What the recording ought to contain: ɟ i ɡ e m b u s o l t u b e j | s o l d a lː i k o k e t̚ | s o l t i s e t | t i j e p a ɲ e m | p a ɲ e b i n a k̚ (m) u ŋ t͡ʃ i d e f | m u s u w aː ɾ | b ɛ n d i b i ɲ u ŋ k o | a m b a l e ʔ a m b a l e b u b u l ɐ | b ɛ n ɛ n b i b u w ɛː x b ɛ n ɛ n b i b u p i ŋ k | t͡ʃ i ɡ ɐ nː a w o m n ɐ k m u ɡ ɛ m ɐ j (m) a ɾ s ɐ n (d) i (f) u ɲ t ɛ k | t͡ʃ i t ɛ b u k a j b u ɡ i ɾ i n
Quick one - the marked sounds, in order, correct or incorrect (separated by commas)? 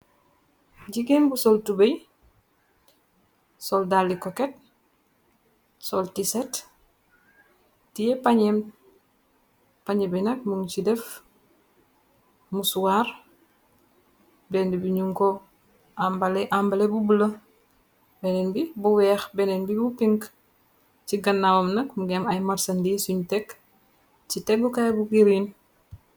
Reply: correct, correct, correct, incorrect